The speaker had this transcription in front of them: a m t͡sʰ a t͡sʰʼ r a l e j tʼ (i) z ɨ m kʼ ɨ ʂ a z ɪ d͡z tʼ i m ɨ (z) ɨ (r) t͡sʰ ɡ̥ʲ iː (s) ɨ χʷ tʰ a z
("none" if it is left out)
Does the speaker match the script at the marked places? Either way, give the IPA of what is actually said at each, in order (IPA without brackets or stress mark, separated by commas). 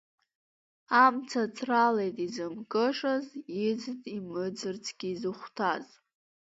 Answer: i, d͡z, r, z